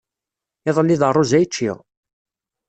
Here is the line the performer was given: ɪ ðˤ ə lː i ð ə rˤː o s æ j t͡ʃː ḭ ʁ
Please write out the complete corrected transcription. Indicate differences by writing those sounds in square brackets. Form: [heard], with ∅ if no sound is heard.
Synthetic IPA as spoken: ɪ ðˤ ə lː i ð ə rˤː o [z] æ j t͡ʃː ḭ ʁ